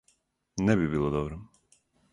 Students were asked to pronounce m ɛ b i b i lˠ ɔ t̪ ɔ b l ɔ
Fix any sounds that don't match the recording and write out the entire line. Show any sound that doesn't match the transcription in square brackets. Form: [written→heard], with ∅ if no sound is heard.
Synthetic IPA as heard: [m→n] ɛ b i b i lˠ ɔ [t̪→d̪] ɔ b [l→ɾ] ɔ